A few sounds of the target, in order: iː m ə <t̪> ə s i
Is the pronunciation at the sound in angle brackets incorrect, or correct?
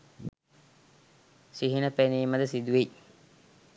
incorrect